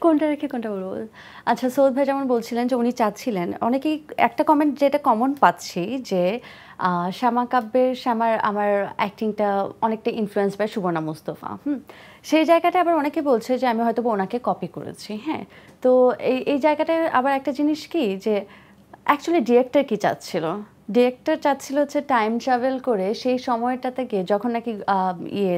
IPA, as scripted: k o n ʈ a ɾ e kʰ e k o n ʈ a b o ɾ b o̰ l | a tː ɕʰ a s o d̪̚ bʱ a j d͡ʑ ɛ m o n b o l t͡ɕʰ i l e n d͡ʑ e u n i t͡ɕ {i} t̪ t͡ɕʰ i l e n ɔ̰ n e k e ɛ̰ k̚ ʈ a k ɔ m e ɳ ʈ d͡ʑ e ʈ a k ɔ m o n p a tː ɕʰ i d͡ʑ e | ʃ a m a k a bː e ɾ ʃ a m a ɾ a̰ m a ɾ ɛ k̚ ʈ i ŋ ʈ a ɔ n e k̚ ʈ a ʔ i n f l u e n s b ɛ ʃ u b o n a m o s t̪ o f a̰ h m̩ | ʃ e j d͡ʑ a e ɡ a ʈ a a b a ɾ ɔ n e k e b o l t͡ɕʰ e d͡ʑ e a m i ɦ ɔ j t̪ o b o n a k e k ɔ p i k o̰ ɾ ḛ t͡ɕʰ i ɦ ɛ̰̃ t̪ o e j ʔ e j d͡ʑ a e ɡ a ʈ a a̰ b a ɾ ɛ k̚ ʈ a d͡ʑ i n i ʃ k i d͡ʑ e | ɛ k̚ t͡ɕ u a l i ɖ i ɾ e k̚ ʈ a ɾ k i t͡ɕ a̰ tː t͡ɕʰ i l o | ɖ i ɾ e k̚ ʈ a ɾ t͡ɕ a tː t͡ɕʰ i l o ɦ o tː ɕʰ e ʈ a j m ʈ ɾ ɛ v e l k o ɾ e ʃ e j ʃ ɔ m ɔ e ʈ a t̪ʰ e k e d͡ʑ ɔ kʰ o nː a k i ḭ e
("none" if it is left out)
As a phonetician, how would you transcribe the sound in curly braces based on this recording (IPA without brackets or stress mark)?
a